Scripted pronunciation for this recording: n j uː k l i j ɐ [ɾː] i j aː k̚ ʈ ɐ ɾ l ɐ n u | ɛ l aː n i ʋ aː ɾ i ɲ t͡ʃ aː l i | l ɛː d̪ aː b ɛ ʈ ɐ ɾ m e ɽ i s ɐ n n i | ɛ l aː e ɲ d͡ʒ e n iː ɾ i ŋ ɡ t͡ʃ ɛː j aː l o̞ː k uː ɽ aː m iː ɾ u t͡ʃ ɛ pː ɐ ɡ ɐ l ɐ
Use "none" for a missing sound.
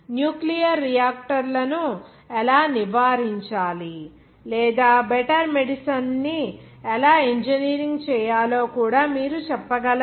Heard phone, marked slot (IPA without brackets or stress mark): ɾː